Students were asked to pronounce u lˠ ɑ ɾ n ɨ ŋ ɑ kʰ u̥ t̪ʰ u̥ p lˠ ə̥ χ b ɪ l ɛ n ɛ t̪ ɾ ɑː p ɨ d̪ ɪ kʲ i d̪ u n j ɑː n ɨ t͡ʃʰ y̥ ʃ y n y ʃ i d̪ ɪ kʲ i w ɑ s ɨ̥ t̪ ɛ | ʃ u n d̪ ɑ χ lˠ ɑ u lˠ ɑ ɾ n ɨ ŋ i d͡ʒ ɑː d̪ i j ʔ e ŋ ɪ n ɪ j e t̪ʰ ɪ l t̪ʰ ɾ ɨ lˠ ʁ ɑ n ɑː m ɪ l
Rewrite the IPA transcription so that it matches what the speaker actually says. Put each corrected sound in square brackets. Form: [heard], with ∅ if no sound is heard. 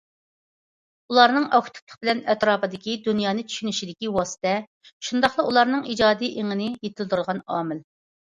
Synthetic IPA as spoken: u lˠ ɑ ɾ n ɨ ŋ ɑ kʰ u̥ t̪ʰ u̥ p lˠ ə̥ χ b ɪ l ɛ n ɛ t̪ ɾ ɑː p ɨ d̪ ɪ kʲ i d̪ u n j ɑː n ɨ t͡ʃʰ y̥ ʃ y n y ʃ i d̪ ɪ kʲ i w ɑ s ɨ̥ t̪ ɛ | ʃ u n d̪ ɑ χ lˠ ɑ u lˠ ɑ ɾ n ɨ ŋ i d͡ʒ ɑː d̪ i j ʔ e ŋ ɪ n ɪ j e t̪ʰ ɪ l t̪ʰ ɾ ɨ lˠ ʁ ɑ n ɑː m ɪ l